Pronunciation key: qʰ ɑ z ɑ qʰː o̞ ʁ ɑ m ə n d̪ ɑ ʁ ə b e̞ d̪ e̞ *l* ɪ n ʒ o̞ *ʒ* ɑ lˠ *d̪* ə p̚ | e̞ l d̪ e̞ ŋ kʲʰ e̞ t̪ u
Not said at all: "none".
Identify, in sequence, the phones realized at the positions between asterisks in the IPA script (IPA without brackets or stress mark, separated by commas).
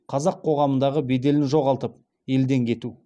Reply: l, ʁ, t̪